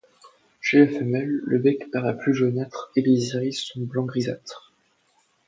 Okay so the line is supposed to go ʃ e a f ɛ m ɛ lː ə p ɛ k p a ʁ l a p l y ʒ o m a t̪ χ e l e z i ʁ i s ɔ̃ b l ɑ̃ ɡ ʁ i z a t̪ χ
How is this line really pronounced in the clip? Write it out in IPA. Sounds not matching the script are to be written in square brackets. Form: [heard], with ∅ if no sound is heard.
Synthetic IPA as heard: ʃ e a f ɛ m ɛ lː ə [b] ɛ k p a ʁ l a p l y ʒ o [n] a t̪ χ e l e z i ʁ i s ɔ̃ b l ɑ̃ ɡ ʁ i z a t̪ χ